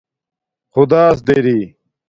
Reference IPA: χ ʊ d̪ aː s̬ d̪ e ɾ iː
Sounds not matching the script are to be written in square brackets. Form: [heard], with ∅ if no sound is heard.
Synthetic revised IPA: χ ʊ d̪ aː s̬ d̪ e ɾ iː